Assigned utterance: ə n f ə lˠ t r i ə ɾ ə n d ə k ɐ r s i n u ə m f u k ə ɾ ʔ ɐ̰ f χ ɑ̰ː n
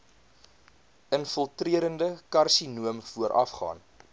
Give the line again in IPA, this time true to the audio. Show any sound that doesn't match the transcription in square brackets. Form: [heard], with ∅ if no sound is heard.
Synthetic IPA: ə n f ə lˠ t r i ə ɾ ə n d ə k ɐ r s i n u ə m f u [∅] ə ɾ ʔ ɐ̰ f χ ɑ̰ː n